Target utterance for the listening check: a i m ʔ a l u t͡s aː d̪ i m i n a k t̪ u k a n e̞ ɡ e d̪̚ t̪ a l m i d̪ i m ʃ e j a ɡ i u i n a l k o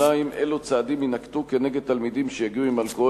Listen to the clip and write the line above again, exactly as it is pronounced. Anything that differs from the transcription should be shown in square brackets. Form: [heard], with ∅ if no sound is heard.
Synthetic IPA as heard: a i m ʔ [e] l u t͡s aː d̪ i m i n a k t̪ u k [e] n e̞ ɡ e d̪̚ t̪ a l m i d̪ i m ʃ e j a ɡ i u i [m] a l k o